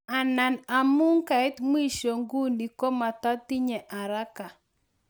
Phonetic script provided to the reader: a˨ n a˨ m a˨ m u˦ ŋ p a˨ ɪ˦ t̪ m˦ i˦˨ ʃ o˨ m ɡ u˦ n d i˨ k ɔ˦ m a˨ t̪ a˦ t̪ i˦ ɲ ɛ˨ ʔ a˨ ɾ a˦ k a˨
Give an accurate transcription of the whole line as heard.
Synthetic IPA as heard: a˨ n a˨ n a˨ m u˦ ŋ k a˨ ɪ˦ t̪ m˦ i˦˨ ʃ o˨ ŋ ɡ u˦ n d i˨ k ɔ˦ m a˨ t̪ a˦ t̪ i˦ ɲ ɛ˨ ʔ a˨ ɾ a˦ k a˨